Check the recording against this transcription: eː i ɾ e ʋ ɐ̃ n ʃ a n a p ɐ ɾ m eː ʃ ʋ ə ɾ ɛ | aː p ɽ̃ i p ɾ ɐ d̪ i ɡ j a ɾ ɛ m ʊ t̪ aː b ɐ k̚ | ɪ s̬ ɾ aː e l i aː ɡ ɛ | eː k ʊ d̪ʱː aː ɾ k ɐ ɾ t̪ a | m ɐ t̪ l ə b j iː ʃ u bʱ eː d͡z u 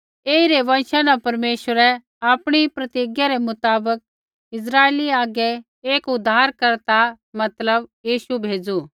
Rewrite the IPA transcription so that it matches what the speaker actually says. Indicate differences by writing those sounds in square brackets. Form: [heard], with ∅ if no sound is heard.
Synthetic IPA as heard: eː i ɾ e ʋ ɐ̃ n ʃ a n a p ɐ ɾ m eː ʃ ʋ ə ɾ ɛ | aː p ɽ̃ i p ɾ ɐ [t̪] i ɡ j a ɾ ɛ m ʊ t̪ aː b [ə] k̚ | ɪ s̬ ɾ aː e l i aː ɡ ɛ | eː k ʊ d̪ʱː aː ɾ k ɐ ɾ t̪ a | m ɐ t̪ l ə b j iː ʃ u bʱ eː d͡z u